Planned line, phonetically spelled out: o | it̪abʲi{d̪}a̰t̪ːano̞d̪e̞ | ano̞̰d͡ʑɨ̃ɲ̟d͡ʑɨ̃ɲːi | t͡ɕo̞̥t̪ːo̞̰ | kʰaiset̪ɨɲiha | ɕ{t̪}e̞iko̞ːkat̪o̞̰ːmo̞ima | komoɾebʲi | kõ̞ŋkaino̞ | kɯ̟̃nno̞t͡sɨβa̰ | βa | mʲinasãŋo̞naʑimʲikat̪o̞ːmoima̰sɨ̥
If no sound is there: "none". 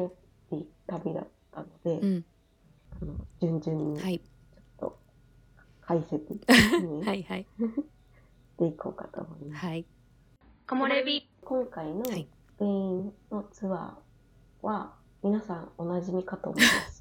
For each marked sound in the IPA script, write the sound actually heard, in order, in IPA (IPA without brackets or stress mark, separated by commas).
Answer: d̪, t̪